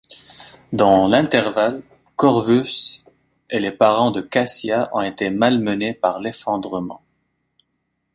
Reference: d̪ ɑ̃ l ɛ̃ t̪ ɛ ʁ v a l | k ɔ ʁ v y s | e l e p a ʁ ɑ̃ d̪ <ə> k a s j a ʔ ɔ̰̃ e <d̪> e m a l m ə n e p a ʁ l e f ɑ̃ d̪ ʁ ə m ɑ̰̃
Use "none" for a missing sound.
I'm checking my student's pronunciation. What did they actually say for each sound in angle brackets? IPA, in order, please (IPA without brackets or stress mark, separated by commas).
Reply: ə, t̪